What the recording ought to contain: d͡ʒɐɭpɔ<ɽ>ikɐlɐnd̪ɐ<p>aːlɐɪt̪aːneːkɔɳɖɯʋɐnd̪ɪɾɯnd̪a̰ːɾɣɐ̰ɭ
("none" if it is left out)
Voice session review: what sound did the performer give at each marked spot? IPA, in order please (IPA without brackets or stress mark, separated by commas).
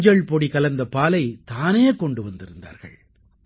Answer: ɽ, p